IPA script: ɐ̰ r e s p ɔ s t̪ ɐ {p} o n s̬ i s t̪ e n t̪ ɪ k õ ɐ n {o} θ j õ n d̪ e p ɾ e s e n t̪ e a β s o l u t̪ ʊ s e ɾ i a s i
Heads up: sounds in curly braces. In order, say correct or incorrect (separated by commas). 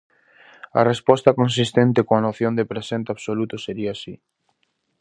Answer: incorrect, correct